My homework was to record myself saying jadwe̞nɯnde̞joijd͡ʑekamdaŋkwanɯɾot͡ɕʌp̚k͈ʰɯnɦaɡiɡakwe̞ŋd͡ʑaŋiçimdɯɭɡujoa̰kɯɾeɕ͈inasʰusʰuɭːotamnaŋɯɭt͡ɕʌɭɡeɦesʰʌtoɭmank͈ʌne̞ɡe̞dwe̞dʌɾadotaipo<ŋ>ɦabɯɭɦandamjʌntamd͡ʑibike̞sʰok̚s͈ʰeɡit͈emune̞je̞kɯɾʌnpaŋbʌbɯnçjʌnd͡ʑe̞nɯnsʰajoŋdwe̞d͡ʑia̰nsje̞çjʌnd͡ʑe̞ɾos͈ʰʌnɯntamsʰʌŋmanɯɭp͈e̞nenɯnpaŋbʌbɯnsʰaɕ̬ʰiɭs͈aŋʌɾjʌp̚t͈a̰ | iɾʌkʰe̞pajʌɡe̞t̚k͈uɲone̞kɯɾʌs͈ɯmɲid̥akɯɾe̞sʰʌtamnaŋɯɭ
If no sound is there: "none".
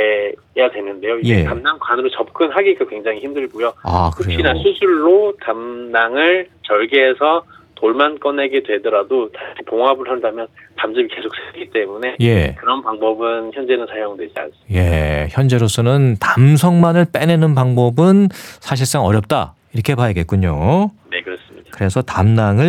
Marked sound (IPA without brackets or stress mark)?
ŋ